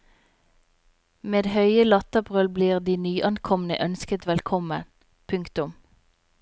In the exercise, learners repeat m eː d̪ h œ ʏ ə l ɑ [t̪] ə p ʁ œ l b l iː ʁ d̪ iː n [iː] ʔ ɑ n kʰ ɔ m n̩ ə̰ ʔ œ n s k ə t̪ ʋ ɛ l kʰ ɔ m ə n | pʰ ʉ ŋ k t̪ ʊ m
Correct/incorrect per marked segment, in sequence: correct, incorrect

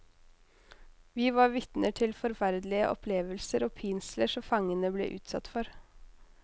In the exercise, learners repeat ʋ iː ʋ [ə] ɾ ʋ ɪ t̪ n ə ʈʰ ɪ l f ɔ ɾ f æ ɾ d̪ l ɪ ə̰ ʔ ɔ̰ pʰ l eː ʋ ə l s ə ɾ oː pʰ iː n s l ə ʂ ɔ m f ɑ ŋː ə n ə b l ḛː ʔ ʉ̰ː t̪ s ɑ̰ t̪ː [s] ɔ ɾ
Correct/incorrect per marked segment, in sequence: incorrect, incorrect

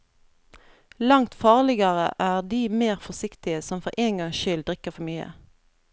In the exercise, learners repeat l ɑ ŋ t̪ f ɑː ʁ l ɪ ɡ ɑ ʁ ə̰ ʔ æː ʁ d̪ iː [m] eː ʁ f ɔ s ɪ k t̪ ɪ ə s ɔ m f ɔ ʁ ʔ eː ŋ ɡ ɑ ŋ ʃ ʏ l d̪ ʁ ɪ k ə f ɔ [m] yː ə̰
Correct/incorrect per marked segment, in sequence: correct, correct

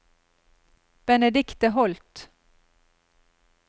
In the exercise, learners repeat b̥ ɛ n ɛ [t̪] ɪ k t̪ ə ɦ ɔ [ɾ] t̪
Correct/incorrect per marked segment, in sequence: incorrect, incorrect

